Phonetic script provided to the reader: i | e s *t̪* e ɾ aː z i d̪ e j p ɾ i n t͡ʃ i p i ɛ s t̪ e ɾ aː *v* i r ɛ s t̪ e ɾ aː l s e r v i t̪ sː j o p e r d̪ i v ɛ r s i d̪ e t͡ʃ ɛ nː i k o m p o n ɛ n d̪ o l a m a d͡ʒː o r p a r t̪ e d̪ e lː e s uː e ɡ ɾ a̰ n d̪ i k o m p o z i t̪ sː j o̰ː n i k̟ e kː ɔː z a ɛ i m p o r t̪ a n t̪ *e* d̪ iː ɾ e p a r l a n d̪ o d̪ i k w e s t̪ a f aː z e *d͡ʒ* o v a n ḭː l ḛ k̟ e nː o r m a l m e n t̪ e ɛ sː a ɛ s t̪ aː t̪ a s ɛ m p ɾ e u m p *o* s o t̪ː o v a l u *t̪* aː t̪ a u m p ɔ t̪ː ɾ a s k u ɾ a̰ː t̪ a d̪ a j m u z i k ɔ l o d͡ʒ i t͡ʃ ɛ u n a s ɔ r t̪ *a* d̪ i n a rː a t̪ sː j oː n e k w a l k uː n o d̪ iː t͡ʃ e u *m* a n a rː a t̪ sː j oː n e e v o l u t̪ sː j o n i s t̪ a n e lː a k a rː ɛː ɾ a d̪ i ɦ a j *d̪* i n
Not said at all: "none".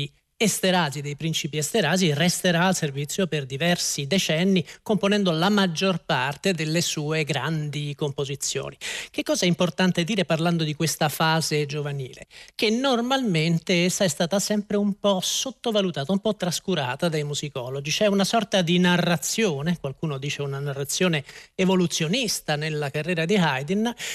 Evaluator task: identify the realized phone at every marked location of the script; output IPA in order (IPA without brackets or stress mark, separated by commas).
t̪, z, e, d͡ʒ, ɔ, t̪, a, n, d̪